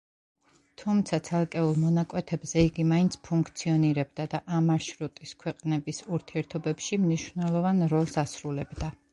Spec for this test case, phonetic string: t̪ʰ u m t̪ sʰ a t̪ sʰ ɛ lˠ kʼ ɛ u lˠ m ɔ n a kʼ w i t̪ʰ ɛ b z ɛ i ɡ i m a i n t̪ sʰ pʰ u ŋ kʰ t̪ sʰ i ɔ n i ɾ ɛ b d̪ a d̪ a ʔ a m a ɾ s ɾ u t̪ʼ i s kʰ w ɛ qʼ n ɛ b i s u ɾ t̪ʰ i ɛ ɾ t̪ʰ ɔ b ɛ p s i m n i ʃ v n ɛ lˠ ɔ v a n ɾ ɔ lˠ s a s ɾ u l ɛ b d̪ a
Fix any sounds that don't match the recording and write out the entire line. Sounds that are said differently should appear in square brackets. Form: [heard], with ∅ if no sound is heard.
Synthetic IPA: t̪ʰ u m t̪ sʰ a t̪ sʰ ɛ lˠ kʼ ɛ u lˠ m ɔ n a kʼ w [ɛ] t̪ʰ ɛ b z ɛ i ɡ i m a i n t̪ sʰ pʰ u ŋ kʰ t̪ sʰ i ɔ n i ɾ ɛ b d̪ a d̪ a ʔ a m a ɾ [ʃ] ɾ u t̪ʼ i s kʰ w ɛ qʼ n ɛ b i s u ɾ t̪ʰ i ɛ ɾ t̪ʰ ɔ b ɛ p [ʃ] i m n i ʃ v n ɛ lˠ ɔ v a n ɾ ɔ lˠ s a s ɾ u l ɛ b d̪ a